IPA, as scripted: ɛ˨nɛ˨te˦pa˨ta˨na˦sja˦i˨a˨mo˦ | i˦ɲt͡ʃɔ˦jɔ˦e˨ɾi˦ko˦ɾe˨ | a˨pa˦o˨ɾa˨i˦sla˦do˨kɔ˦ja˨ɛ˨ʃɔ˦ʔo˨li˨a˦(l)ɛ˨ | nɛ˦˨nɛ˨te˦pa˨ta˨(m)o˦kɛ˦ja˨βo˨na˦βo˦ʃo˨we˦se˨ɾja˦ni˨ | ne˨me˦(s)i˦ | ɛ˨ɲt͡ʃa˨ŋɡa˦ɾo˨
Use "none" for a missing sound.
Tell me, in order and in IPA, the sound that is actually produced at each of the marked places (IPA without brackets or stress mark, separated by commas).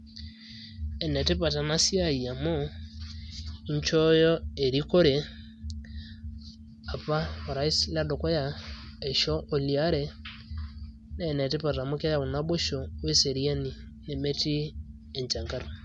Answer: ɾ, m, t